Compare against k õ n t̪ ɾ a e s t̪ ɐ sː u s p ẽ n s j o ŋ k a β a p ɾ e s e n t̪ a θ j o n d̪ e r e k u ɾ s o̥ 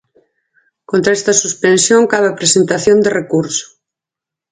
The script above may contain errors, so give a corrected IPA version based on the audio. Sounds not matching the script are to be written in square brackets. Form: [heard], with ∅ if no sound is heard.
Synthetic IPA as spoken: k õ n t̪ ɾ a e s t̪ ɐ [s] u s p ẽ n s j o ŋ k a β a p ɾ e s e n t̪ a θ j o n d̪ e r e k u ɾ s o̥